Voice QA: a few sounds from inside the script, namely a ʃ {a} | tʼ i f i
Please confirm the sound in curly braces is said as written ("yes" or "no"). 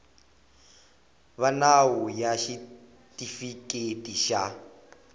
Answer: no